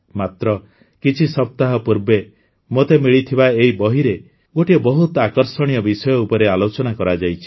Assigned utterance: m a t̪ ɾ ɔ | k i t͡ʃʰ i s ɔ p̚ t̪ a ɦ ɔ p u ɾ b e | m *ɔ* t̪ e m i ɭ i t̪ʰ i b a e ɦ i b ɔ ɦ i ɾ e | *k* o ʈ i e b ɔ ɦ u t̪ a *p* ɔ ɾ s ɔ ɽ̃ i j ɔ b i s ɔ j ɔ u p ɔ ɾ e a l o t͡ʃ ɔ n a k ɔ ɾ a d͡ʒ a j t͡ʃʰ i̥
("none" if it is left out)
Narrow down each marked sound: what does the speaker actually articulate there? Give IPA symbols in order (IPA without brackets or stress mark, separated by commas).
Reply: o, ɡ, k